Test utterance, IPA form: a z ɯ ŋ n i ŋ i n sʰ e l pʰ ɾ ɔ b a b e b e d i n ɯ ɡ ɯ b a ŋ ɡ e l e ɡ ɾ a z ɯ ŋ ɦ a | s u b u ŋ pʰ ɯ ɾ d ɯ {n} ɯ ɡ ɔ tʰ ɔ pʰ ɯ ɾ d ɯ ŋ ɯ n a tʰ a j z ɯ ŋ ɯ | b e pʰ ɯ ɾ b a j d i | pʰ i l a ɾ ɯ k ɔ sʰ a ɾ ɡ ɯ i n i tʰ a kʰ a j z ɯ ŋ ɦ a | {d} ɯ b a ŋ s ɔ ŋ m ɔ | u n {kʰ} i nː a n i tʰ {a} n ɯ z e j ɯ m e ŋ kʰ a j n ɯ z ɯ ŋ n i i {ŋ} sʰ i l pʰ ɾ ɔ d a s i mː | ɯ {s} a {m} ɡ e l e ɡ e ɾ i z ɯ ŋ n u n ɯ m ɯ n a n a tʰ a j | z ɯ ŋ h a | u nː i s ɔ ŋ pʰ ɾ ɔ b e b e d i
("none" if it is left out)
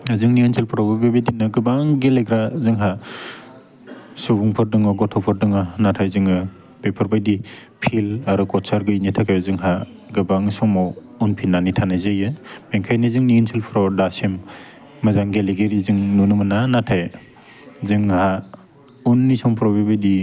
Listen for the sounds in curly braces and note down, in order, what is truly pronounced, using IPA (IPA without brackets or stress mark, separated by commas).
ŋ, ɡ, pʰ, a, n, z, ŋ